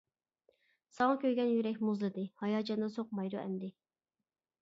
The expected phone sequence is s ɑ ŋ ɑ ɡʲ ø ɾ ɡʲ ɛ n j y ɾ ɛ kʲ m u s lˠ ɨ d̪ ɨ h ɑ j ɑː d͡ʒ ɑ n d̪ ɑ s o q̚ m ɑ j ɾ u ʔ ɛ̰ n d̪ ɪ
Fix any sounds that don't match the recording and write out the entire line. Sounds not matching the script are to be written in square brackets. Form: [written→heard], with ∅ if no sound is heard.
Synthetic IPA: s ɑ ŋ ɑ [ɡʲ→kʲ] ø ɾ ɡʲ ɛ n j y ɾ ɛ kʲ m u [s→z] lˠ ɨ d̪ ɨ h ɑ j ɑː d͡ʒ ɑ n d̪ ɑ s o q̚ m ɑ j ɾ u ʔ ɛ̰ n d̪ ɪ